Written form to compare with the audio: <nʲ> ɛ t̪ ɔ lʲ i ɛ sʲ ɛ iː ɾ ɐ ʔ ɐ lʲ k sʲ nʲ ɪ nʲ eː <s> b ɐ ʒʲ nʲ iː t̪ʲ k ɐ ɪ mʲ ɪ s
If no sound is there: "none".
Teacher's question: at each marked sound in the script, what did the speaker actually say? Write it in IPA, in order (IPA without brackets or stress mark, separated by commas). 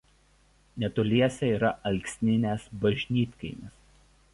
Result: nʲ, s